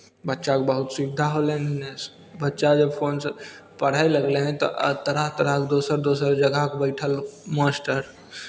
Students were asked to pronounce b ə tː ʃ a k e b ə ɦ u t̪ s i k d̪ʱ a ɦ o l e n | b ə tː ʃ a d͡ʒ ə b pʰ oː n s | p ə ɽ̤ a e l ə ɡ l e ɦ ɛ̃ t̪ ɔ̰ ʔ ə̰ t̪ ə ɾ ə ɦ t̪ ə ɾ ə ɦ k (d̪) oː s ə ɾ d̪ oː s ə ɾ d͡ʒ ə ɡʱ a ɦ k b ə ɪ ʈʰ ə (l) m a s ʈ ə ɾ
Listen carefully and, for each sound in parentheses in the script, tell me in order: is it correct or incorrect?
correct, correct

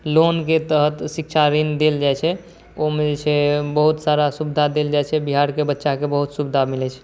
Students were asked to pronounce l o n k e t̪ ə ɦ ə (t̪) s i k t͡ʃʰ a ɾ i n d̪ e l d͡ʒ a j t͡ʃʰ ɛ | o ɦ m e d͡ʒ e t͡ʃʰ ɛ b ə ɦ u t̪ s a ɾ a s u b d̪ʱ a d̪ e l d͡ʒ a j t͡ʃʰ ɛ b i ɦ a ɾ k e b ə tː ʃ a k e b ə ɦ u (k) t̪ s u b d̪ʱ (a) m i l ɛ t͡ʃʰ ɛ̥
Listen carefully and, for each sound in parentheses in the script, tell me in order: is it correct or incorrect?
correct, incorrect: none, correct

